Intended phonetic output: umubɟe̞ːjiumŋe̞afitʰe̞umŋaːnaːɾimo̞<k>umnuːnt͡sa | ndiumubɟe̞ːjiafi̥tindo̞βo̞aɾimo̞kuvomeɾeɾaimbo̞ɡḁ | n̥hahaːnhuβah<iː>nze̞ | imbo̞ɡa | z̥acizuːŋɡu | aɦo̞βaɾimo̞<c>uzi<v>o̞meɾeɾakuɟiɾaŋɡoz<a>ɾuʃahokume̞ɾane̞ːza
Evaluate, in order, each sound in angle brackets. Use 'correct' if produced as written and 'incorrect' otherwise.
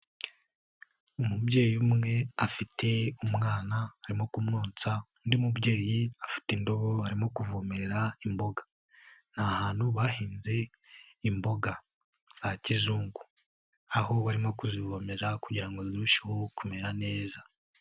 correct, correct, incorrect: k, correct, incorrect: i

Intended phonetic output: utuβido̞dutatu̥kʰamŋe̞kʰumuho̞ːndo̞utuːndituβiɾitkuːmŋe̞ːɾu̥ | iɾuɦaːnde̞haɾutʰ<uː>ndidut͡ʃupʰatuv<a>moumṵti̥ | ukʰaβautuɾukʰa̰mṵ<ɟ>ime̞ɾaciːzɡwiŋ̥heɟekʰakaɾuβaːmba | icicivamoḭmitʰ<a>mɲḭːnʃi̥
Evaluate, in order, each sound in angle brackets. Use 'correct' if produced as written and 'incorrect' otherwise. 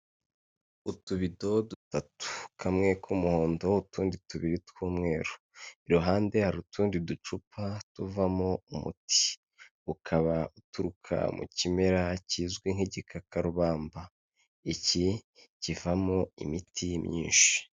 correct, correct, incorrect: c, incorrect: i

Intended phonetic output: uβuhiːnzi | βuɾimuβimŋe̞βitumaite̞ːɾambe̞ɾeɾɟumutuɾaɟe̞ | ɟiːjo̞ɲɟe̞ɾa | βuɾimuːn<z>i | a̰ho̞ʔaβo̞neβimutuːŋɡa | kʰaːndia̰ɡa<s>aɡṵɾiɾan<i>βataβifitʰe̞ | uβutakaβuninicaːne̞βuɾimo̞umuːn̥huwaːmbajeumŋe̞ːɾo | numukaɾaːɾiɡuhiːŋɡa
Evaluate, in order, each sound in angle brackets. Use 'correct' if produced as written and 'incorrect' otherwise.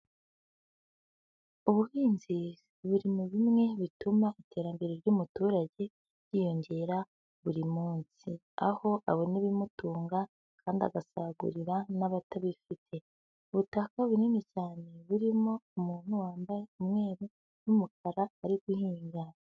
incorrect: s, correct, incorrect: a

